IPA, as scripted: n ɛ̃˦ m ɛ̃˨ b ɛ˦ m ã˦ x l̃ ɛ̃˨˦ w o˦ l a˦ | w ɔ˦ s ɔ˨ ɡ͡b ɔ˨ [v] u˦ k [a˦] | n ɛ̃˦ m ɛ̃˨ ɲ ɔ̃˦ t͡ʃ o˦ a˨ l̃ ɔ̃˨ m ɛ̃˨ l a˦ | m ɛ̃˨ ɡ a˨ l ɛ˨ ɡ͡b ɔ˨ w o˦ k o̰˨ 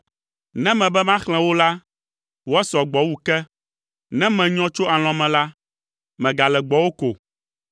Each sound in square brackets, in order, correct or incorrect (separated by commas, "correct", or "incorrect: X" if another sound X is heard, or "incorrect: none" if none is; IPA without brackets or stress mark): incorrect: w, incorrect: ɛ˦